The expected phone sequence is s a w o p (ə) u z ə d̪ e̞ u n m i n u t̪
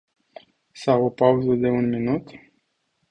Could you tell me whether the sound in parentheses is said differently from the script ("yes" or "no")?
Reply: yes